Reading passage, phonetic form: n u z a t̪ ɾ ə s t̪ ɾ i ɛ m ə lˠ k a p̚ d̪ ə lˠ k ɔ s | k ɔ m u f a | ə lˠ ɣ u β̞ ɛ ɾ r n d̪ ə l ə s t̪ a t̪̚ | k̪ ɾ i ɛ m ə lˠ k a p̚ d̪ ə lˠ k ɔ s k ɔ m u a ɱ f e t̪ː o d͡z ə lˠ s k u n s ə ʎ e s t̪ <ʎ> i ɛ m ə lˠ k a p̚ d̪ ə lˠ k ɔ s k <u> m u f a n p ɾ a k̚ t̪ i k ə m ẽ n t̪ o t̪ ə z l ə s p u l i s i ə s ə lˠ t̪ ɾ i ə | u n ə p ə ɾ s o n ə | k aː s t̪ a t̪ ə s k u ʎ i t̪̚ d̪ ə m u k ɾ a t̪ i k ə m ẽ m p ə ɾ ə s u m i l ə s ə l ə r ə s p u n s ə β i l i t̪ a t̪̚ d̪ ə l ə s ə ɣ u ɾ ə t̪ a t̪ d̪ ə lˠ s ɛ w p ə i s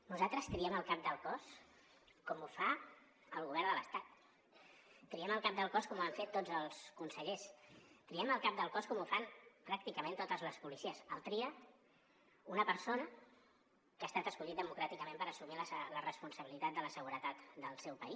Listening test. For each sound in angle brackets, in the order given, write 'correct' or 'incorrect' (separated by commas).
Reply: incorrect, incorrect